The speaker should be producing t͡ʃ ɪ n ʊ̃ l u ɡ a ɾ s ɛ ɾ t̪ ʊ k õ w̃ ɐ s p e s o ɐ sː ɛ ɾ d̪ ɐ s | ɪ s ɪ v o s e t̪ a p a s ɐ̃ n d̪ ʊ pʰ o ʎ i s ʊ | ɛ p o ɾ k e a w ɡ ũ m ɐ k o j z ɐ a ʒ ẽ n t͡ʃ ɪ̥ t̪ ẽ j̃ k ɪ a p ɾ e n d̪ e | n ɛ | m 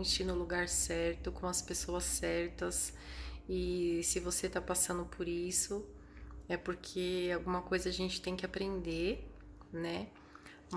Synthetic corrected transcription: t͡ʃ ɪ n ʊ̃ l u ɡ a ɾ s ɛ ɾ t̪ ʊ k õ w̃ ɐ s p e s o ɐ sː ɛ ɾ t̪ ɐ s | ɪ s ɪ v o s e t̪ a p a s ɐ̃ n d̪ ʊ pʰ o ɾ i s ʊ | ɛ p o ɾ kʰ e a w ɡ ũ m ɐ k o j z ɐ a ʒ ẽ n t͡ʃ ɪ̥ t̪ ẽ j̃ k ɪ a p ɾ ẽ n d̪ e | n ɛ | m

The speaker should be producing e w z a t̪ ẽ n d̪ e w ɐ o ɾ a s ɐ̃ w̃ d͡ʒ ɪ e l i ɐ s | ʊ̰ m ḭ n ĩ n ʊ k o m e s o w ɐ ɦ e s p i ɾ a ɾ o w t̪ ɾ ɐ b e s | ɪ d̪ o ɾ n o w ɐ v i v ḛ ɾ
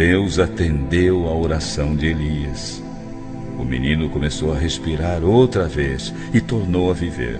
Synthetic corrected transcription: e w z a t̪ ẽ n d̪ e w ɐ o ɾ a s ɐ̃ w̃ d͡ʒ ɪ e l i ɐ s | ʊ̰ m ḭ n ĩ n ʊ k o m e s o w ɐ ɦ e s p i ɾ a ɾ o w t̪ ɾ ɐ v e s | ɪ t̪ o ɾ n o w ɐ v i v ḛ ɾ

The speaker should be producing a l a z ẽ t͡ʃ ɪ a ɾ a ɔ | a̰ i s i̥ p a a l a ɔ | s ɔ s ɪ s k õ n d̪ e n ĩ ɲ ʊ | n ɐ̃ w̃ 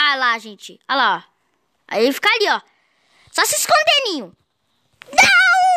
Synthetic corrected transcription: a l a ʒ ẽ t͡ʃ ɪ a l a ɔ | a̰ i f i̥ k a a l i ɔ | s ɔ s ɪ s k õ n d̪ e n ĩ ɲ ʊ | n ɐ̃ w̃

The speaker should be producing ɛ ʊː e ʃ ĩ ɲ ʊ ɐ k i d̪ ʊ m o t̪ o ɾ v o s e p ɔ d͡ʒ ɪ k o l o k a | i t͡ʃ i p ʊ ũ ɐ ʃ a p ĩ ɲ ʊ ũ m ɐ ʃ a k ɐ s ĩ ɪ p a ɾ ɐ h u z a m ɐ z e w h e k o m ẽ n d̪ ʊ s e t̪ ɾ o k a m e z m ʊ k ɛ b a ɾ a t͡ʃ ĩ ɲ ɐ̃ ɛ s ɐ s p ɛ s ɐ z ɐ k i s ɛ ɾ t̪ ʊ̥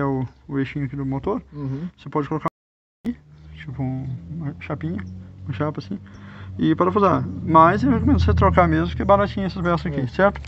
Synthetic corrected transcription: ɛ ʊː e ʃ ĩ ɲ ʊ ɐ k i d̪ ʊ m o t̪ o ɾ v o s e p ɔ d͡ʒ ɪ k o l o k a | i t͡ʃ i p ʊ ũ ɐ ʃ a p ĩ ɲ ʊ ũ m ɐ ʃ a p ɐ s ĩ ɪ p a ɾ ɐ f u z a m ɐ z e w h e k o m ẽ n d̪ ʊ s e t̪ ɾ o k a m e z m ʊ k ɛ b a ɾ a t͡ʃ ĩ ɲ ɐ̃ ɛ s ɐ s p ɛ s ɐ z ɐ k i s ɛ ɾ t̪ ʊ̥

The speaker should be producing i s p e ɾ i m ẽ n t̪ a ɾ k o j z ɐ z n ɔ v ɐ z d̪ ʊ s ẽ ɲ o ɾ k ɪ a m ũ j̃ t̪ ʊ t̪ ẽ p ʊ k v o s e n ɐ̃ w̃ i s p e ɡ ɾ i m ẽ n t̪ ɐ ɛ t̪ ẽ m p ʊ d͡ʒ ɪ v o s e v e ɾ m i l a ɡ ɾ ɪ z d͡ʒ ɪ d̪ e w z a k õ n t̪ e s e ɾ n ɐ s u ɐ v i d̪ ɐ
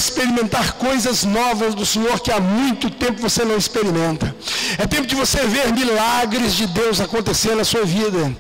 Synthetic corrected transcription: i s p e ɾ i m ẽ n t̪ a ɾ k o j z ɐ z n ɔ v ɐ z d̪ ʊ s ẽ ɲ o ɾ k ɪ a m ũ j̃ t̪ ʊ t̪ ẽ p ʊ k v o s e n ɐ̃ w̃ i s p e ɾ i m ẽ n t̪ ɐ ɛ t̪ ẽ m p ʊ d͡ʒ ɪ v o s e v e ɾ m i l a ɡ ɾ ɪ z d͡ʒ ɪ d̪ e w z a k õ n t̪ e s e ɾ n ɐ s u ɐ v i d̪ ɐ

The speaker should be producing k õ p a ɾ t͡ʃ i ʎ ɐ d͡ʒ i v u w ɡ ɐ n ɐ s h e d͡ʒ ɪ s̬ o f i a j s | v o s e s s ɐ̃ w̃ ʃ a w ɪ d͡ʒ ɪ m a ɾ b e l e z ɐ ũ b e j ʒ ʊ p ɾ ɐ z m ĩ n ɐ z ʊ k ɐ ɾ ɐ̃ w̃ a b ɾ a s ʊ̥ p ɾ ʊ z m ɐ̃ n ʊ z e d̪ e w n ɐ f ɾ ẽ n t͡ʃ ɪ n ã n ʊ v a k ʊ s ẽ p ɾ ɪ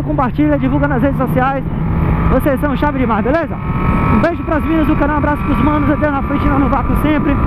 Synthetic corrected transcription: k õ p a ɾ t͡ʃ i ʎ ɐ d͡ʒ i v u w ɡ ɐ n ɐ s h e d͡ʒ ɪ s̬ o s i a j s | v o s e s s ɐ̃ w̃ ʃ a v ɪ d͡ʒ ɪ m a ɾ b e l e z ɐ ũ b e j ʒ ʊ p ɾ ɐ z m ĩ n ɐ z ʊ k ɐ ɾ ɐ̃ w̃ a b ɾ a s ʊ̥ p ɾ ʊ z m ɐ̃ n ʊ z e d̪ e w n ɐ f ɾ ẽ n t͡ʃ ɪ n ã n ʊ v a k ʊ s ẽ p ɾ ɪ

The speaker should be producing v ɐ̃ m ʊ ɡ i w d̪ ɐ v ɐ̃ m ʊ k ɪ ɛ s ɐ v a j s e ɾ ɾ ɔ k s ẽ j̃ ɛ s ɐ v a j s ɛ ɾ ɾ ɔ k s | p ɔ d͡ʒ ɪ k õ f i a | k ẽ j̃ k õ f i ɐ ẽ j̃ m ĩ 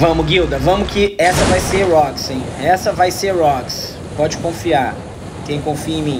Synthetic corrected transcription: v ɐ̃ m ʊ ɡ i w d̪ ɐ v ɐ̃ m ʊ k ɪ ɛ s ɐ v a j s e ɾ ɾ ɔ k s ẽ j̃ ɛ s ɐ v a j s e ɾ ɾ ɔ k s | p ɔ d͡ʒ ɪ k õ f i a | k ẽ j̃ k õ f i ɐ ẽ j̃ m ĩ

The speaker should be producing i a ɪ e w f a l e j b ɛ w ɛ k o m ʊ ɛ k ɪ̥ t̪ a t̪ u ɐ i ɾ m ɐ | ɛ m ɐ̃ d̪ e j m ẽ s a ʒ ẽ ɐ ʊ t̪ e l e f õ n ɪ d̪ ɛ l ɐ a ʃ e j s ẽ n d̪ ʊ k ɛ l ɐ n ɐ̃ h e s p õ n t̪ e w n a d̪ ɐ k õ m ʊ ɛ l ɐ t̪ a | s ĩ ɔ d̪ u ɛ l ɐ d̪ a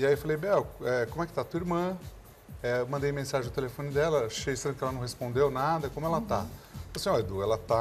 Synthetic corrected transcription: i a i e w f a l e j b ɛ w ɛ k o m ʊ ɛ k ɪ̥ t̪ a t̪ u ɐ i ɾ m ɐ̃ | ɛ m ɐ̃ d̪ e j m ẽ s a ʒ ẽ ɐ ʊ t̪ e l e f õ n ɪ d̪ ɛ l ɐ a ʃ e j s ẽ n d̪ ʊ k ɛ l ɐ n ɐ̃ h e s p õ n d̪ e w n a d̪ ɐ k õ m ʊ ɛ l ɐ t̪ a | s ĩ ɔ d̪ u ɛ l ɐ t̪ a

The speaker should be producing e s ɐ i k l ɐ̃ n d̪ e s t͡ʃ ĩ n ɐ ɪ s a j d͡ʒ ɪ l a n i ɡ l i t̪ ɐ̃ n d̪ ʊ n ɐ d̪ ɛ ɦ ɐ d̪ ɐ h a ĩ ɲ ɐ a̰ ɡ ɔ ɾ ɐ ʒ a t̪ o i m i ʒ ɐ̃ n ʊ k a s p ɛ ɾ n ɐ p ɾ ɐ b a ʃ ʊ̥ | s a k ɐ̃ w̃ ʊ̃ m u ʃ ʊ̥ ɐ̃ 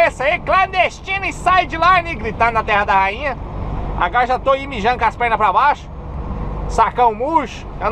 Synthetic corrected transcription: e s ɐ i k l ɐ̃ n d̪ e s t͡ʃ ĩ n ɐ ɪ s a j d͡ʒ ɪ l a n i ɡ ɾ i t̪ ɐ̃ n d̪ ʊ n ɐ t̪ ɛ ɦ ɐ d̪ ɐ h a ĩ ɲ ɐ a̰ ɡ ɔ ɾ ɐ ʒ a t̪ o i m i ʒ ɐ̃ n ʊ k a s p ɛ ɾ n ɐ p ɾ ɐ b a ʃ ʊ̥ | s a k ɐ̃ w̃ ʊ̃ m u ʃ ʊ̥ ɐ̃

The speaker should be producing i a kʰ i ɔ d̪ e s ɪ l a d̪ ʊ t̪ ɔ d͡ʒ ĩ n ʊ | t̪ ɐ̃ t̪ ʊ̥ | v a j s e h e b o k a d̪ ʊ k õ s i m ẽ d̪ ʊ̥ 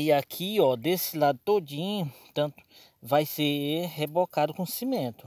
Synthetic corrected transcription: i a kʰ i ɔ d̪ e s ɪ l a d̪ ʊ t̪ o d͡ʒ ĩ ɲ ʊ | t̪ ɐ̃ t̪ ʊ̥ | v a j s e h e b o k a d̪ ʊ k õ s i m ẽ t̪ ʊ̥

